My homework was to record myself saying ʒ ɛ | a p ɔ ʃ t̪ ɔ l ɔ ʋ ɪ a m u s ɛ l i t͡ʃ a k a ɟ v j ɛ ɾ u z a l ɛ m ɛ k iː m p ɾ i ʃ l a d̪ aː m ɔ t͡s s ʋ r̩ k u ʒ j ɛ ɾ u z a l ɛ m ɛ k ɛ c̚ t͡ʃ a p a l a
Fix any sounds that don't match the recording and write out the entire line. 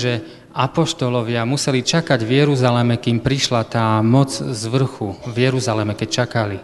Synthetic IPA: ʒ ɛ | a p ɔ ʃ t̪ ɔ l ɔ ʋ ɪ a m u s ɛ l i t͡ʃ a k a ɟ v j ɛ ɾ u z a l ɛ m ɛ k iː m p ɾ i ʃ l a t̪ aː m ɔ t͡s z ʋ r̩ x u v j ɛ ɾ u z a l ɛ m ɛ k ɛ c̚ t͡ʃ a k a l i